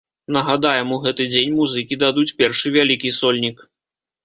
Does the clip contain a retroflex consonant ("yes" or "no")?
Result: yes